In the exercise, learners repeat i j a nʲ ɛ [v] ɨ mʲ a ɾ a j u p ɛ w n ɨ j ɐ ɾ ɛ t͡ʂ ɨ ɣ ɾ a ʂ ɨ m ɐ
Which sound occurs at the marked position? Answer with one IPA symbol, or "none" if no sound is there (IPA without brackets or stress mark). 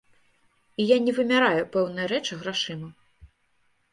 v